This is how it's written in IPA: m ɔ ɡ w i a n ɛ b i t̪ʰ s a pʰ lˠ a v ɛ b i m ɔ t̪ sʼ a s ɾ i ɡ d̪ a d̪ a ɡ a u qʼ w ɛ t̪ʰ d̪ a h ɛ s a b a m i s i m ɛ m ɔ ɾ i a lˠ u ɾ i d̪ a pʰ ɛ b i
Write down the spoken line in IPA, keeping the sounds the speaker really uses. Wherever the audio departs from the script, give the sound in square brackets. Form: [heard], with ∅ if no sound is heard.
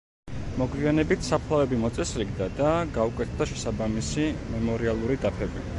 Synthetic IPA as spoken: m ɔ ɡ w i a n ɛ b i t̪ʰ s a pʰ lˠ a v ɛ b i m ɔ t̪ sʼ [ɛ] s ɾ i ɡ d̪ a d̪ a ɡ a u [kʼ] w ɛ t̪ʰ d̪ a [ʃ] ɛ s a b a m i s i m ɛ m ɔ ɾ i a lˠ u ɾ i d̪ a pʰ ɛ b i